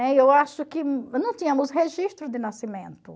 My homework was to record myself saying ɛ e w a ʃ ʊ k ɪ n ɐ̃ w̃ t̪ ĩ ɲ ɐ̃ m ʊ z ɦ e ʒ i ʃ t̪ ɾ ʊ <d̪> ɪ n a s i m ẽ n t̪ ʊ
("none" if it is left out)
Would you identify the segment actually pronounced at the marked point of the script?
d̪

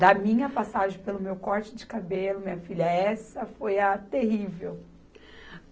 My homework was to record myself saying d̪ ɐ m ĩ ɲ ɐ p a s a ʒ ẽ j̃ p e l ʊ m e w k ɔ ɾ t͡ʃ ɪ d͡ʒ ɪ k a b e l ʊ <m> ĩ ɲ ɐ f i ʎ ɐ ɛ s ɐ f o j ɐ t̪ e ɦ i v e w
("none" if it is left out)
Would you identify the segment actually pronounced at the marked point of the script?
m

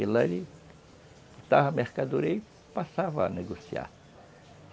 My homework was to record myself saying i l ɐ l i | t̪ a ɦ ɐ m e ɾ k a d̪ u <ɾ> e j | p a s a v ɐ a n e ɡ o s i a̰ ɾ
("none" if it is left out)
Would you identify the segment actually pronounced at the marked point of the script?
ɾ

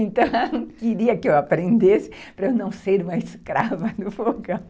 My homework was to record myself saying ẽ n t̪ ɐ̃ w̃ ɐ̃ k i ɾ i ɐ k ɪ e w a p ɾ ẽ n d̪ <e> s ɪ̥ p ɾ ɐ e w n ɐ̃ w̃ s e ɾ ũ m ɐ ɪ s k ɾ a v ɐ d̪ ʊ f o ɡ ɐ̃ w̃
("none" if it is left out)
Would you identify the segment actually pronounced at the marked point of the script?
e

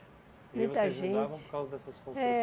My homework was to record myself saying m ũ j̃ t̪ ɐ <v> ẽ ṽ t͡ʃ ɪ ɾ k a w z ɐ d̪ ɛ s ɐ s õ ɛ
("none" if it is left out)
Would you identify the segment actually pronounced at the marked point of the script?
ʒ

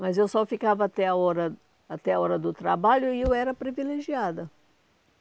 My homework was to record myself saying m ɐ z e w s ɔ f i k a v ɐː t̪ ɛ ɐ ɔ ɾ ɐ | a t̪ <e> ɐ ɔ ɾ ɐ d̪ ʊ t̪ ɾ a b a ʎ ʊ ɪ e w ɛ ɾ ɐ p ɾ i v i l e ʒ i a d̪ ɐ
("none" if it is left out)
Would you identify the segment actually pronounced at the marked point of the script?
ɛ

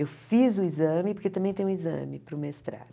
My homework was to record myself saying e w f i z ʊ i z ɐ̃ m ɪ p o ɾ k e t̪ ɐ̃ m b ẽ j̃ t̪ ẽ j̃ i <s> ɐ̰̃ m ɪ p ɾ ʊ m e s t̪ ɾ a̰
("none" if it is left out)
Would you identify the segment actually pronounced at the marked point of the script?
z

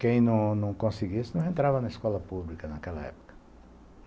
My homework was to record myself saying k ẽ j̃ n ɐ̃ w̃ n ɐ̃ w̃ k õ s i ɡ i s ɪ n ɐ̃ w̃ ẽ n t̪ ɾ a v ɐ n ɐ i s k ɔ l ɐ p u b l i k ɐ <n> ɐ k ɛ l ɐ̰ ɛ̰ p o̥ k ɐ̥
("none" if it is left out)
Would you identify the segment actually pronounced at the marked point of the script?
n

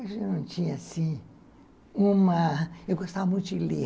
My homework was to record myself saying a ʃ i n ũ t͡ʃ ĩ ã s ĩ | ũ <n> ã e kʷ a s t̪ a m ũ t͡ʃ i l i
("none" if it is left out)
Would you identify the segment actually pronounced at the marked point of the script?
m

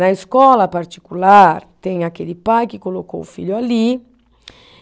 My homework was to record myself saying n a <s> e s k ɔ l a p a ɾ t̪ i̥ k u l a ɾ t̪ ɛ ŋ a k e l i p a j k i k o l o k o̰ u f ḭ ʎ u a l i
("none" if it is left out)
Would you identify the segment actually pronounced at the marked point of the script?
none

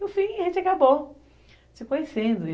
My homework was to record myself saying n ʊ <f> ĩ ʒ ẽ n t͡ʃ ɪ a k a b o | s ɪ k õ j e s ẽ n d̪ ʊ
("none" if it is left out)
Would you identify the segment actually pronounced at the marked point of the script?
f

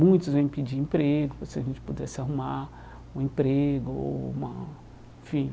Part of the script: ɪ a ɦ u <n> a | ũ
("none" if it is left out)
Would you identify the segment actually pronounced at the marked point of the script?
m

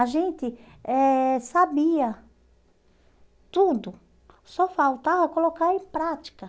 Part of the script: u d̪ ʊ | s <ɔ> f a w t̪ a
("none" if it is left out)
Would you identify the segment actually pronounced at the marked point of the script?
ɔ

